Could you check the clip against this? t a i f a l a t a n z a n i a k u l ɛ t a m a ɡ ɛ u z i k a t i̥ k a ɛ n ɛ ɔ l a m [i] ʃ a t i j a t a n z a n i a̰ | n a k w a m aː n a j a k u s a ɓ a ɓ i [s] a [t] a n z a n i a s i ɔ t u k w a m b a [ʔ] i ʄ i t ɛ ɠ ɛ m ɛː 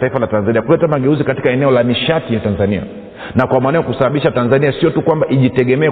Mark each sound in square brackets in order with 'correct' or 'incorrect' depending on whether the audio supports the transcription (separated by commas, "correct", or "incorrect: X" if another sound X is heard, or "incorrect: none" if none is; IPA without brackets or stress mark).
correct, incorrect: ʃ, correct, correct